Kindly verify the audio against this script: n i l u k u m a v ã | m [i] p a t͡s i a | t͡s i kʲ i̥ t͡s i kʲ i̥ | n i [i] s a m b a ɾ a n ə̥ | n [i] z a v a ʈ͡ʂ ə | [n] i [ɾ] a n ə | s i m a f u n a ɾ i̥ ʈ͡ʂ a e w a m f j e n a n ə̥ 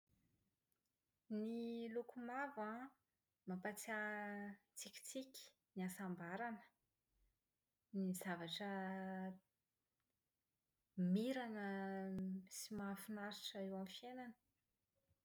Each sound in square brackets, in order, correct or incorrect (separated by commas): incorrect, incorrect, correct, incorrect, correct